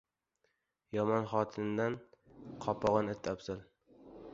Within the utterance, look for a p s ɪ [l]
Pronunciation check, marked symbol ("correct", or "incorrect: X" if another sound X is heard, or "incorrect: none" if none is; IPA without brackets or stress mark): correct